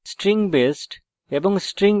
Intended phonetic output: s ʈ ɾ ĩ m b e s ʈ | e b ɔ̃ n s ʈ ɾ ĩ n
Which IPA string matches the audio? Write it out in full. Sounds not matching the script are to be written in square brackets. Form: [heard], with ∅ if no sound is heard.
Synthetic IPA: s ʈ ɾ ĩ [ŋ] b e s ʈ | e b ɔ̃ [ŋ] s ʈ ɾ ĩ [ŋ]